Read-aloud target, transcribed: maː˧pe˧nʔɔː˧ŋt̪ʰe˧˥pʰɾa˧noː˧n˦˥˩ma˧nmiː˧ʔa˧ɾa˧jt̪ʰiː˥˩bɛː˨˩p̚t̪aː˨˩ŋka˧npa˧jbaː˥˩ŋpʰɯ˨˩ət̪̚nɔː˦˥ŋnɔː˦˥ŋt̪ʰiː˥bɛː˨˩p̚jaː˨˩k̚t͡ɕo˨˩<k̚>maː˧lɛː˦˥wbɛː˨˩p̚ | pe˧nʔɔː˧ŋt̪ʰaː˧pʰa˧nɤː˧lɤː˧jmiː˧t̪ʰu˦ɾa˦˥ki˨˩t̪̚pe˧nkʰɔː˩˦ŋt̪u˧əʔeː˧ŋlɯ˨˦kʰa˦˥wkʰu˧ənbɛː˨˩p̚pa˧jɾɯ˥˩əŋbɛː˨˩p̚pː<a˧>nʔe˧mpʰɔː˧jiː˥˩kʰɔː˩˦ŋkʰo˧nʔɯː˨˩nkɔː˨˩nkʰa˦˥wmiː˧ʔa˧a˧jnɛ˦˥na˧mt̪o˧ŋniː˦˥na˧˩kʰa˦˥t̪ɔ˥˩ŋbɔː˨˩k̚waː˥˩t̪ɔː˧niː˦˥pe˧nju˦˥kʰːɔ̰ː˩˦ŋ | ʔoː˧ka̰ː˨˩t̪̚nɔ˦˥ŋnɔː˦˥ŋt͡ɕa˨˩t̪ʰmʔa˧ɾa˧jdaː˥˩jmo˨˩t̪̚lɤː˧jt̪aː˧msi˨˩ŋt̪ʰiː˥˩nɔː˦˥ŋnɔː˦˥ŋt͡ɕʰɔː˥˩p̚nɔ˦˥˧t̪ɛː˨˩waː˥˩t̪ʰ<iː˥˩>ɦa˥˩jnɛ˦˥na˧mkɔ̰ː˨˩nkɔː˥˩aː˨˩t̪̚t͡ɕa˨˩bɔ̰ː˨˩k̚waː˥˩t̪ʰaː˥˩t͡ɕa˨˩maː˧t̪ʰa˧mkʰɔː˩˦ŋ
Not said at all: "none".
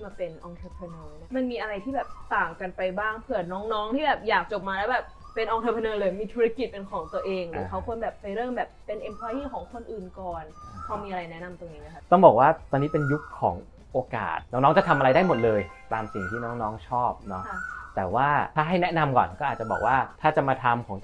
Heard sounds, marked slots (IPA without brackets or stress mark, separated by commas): p̚, e˧, aː˥˩